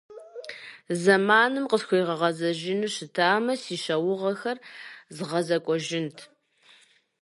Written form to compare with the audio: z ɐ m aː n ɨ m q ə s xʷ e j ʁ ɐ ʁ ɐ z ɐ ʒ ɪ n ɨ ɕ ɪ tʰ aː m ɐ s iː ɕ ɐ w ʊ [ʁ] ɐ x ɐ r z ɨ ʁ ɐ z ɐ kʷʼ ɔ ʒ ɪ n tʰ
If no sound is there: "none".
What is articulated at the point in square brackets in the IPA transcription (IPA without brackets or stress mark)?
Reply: ʁ